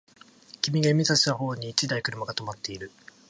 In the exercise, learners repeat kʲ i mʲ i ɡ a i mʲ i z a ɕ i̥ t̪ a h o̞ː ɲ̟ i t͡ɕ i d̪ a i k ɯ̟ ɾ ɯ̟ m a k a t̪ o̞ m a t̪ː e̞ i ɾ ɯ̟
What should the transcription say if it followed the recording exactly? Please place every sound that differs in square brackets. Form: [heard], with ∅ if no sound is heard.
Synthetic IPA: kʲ i mʲ i ɡ a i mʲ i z a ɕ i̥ t̪ a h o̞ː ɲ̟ [iː] t͡ɕ i d̪ a i k ɯ̟ ɾ ɯ̟ m a [ɡ] a t̪ o̞ m a t̪ː e̞ i ɾ ɯ̟